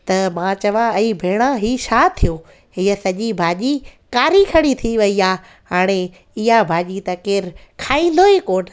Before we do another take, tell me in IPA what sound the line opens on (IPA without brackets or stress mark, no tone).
t̪